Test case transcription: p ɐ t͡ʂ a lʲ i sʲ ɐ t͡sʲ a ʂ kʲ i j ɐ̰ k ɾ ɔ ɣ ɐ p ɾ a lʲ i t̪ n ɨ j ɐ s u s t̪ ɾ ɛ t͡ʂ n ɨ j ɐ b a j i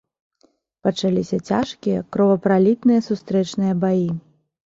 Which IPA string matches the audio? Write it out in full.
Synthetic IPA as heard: p ɐ t͡ʂ a lʲ i sʲ ɐ t͡sʲ a ʂ kʲ i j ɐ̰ k ɾ ɔ v ɐ p ɾ a lʲ i t̪ n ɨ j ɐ s u s t̪ ɾ ɛ t͡ʂ n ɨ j ɐ b a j i